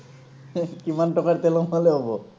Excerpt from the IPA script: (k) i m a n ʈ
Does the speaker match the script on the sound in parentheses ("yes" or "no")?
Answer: yes